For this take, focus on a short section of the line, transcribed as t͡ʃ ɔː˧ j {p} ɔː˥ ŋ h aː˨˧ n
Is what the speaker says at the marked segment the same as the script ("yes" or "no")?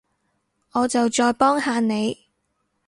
yes